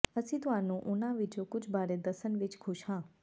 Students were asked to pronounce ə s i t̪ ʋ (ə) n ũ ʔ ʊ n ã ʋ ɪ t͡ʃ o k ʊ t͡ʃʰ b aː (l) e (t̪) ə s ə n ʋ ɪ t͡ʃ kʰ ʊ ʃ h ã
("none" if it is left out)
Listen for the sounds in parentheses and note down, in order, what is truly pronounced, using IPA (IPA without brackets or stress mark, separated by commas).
a, ɾ, d̪